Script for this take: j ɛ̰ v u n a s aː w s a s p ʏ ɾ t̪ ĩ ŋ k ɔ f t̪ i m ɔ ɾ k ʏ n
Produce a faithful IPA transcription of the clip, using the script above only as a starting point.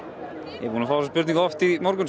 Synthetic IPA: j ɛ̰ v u n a f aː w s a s p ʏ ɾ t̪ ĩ ŋ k ɔ f t̪ i m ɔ ɾ k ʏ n